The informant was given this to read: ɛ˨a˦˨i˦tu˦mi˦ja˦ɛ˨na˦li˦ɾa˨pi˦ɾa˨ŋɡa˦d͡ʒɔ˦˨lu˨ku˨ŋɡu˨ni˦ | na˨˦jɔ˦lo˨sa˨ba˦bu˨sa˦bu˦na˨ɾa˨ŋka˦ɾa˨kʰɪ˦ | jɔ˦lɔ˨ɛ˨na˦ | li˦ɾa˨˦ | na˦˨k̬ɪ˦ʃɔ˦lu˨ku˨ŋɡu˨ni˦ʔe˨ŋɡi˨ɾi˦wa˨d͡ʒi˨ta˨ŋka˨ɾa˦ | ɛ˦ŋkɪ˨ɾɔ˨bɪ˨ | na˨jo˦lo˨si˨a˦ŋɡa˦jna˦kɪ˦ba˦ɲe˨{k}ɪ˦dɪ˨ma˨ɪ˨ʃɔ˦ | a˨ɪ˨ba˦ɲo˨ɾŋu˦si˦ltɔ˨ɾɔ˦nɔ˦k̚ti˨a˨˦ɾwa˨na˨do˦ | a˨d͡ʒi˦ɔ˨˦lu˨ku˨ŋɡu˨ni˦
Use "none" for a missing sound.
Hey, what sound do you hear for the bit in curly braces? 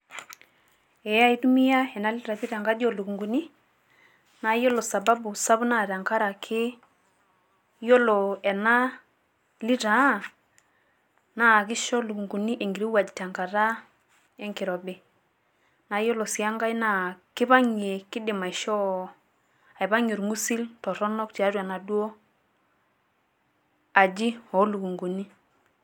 k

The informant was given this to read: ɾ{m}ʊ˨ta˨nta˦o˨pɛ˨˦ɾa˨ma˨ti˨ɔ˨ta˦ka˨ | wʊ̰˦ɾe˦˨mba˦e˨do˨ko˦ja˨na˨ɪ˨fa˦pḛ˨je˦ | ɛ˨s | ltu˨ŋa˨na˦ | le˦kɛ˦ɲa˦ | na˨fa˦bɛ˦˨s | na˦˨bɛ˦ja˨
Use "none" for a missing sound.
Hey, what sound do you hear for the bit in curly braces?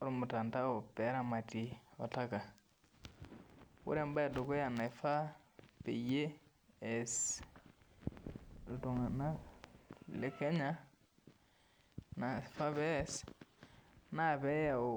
m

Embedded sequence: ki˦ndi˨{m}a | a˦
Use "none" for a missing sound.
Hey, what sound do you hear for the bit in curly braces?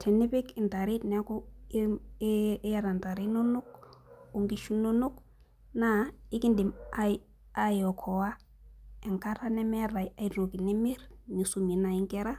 m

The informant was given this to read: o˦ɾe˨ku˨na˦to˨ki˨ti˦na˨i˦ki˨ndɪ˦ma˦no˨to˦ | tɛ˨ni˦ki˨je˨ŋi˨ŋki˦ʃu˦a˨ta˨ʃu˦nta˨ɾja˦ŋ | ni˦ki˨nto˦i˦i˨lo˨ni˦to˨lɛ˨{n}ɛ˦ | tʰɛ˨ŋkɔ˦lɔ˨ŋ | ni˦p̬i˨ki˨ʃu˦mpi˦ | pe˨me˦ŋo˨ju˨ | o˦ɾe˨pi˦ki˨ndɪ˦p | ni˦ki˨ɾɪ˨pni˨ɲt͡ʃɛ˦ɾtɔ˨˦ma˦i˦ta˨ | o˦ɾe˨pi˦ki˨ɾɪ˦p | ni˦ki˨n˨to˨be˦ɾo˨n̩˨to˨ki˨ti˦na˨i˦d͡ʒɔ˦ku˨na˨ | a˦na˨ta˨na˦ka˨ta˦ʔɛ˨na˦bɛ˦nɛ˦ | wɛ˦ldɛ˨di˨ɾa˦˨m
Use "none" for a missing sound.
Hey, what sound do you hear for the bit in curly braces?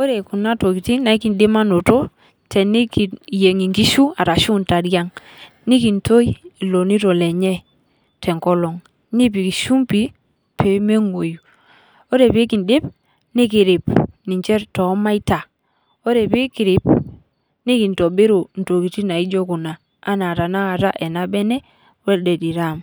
ɲ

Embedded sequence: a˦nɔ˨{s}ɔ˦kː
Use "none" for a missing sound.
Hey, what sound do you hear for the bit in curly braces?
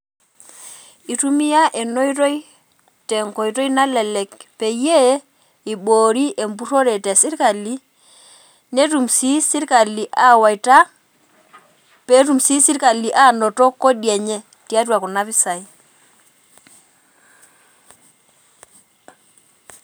t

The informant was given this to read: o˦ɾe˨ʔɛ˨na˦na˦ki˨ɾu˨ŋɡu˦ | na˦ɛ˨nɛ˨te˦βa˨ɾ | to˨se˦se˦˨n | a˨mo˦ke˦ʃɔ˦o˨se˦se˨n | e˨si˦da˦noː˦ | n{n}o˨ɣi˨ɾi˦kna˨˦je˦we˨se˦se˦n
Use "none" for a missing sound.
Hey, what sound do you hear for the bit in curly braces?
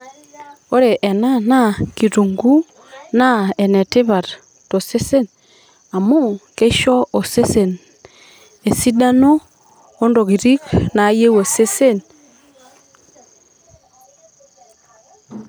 d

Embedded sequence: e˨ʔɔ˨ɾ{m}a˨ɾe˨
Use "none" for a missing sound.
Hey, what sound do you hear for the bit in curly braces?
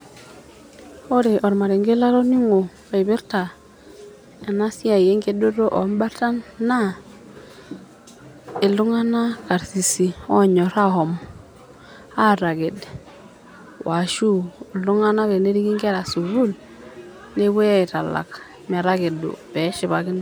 m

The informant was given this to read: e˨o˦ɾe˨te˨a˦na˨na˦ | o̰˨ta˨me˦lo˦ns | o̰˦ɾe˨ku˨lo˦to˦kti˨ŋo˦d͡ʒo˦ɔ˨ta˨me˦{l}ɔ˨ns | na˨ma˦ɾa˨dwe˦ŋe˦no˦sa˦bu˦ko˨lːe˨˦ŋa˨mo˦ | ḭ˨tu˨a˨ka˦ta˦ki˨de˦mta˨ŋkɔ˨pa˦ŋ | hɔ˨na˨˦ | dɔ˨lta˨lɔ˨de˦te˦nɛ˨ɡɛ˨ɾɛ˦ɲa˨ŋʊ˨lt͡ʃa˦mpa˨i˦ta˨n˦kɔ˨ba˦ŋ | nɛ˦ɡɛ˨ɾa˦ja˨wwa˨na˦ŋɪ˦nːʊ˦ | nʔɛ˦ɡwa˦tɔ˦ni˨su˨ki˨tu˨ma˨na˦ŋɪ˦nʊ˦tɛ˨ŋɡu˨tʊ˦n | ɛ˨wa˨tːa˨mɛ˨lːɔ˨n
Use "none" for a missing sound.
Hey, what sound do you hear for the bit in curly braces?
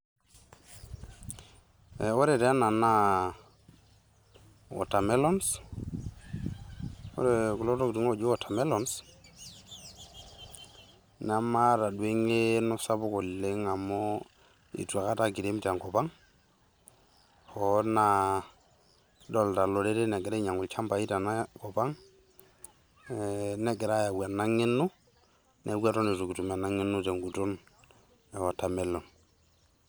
l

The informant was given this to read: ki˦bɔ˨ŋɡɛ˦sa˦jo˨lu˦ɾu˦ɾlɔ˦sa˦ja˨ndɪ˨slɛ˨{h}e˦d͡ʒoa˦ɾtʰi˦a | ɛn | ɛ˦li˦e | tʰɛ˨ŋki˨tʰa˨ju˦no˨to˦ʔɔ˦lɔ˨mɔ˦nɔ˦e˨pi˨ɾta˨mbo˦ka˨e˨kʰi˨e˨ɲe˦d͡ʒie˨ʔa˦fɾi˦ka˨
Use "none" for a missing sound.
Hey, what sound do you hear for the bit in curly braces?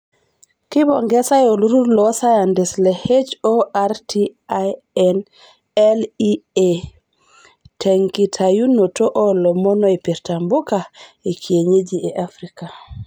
h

